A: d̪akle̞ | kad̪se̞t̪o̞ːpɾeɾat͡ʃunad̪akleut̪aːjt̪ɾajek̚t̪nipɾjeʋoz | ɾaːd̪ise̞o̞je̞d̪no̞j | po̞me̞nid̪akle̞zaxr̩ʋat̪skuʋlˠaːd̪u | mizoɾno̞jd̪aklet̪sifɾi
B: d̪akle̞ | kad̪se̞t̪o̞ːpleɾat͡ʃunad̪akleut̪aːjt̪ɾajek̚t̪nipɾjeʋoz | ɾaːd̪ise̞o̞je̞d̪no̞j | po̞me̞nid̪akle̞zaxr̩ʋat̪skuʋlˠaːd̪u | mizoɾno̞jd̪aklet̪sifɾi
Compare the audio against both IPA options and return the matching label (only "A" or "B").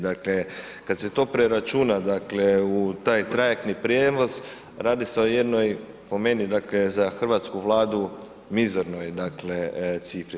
A